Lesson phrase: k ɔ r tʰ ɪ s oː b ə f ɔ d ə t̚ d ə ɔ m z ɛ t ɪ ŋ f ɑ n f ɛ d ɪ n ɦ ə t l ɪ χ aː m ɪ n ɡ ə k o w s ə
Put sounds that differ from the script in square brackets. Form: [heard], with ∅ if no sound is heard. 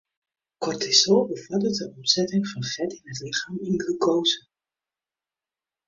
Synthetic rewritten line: k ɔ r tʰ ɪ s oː b ə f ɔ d ə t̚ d ə ɔ m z ɛ t ɪ ŋ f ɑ n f ɛ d ɪ n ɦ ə t l ɪ χ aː m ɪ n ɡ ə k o w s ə